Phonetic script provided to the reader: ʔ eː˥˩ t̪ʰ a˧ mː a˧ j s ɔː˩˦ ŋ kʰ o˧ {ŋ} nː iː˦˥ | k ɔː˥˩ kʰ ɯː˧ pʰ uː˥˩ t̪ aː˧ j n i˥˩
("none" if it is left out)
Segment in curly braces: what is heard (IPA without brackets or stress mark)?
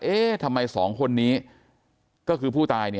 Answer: none